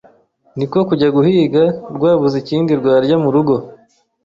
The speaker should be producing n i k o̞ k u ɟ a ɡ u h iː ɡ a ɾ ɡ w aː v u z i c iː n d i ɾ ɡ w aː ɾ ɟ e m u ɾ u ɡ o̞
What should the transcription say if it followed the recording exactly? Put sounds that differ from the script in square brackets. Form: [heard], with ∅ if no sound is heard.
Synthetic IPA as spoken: n i k o̞ k u ɟ a ɡ u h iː ɡ a ɾ ɡ w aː [β] u z i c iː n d i ɾ ɡ w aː ɾ ɟ [a] m u ɾ u ɡ o̞